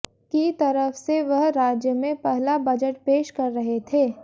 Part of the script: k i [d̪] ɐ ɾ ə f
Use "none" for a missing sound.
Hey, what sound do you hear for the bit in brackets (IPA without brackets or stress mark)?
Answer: t̪